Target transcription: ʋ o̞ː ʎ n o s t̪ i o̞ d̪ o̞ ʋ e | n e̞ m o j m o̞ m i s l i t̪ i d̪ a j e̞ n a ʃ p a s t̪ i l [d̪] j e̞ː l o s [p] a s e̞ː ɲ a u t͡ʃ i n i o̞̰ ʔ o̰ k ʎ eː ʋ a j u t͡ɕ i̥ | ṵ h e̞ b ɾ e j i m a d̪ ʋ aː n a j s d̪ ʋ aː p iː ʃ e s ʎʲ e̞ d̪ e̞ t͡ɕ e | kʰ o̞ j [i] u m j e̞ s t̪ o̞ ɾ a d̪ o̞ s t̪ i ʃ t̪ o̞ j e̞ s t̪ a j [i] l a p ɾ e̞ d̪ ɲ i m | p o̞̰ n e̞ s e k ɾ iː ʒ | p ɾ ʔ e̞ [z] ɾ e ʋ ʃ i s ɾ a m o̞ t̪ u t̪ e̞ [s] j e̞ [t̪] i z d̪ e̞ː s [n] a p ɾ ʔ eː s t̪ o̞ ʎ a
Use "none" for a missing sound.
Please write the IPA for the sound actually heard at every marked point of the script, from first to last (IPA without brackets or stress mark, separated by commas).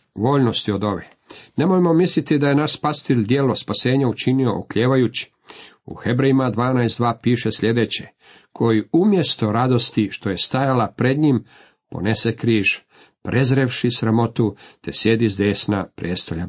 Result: d̪, p, i, a, z, s, d̪, n